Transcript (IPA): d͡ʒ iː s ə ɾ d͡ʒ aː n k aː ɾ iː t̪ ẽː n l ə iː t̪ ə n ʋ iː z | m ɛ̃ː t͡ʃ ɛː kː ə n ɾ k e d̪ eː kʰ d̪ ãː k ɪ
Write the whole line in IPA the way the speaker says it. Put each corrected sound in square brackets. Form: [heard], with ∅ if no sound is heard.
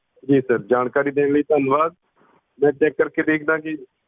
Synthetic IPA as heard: d͡ʒ iː s ə ɾ d͡ʒ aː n k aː ɾ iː [d̪] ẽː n l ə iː t̪ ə n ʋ [aː] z | m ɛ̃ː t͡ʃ ɛː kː ə [∅] ɾ k e d̪ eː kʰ d̪ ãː k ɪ